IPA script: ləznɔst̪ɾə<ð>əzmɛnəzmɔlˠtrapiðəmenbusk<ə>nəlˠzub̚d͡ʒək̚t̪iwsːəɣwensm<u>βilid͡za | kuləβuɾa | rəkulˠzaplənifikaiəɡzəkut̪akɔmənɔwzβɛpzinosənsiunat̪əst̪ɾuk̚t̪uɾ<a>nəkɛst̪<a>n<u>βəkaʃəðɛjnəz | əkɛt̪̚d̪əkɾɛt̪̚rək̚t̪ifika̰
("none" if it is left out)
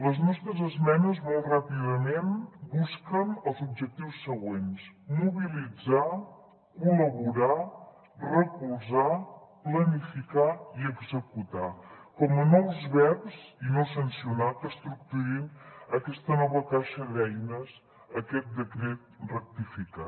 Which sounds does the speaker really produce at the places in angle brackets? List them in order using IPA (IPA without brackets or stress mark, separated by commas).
z, ə, u, i, ə, ɔ